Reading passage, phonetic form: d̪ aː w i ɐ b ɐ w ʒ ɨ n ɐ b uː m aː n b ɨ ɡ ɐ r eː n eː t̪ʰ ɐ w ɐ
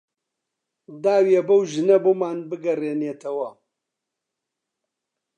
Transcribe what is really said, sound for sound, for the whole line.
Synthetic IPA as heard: d̪ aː w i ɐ b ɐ w ʒ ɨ n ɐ b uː m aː n b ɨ ɡ ɐ r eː n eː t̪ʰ ɐ w ɐ